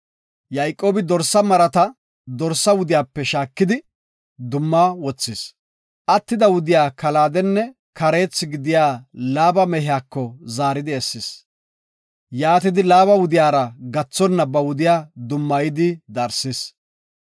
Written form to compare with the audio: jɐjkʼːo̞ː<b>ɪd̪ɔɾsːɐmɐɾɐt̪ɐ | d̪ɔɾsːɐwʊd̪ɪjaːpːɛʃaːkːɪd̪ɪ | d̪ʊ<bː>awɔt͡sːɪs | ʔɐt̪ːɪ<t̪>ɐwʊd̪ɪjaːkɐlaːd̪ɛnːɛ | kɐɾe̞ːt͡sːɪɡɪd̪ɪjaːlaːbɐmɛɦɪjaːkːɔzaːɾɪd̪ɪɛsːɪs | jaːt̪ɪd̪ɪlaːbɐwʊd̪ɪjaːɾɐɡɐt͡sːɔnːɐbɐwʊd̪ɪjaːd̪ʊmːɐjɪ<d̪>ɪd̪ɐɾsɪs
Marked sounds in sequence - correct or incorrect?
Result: correct, incorrect: mː, incorrect: d̪, correct

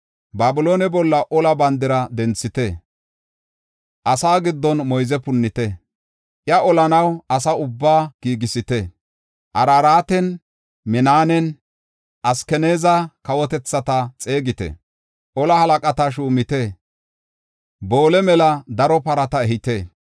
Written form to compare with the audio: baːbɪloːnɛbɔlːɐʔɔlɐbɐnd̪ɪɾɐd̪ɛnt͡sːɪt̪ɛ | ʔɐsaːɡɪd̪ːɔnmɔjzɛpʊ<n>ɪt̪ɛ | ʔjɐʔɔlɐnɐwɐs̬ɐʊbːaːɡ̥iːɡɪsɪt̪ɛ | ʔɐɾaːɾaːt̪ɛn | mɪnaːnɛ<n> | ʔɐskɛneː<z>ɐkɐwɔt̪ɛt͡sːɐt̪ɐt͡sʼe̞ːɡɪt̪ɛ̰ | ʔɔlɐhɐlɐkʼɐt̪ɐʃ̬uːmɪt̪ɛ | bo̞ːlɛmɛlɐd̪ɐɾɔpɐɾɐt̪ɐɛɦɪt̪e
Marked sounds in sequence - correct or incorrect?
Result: incorrect: nː, correct, correct

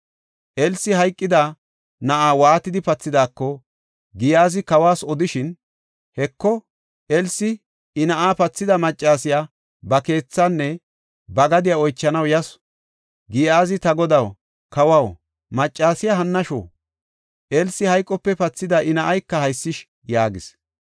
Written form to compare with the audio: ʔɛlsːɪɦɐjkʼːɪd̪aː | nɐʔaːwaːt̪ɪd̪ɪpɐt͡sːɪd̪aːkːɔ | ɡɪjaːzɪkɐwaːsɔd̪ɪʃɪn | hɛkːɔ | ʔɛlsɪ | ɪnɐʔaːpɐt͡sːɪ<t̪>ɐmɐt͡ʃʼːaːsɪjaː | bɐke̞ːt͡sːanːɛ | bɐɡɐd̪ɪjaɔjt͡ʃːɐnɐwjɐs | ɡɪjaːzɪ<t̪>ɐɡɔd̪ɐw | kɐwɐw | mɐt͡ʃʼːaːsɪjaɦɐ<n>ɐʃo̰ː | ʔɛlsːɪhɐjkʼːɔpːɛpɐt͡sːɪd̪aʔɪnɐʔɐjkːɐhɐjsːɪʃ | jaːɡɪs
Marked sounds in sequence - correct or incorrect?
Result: incorrect: d̪, correct, incorrect: nː

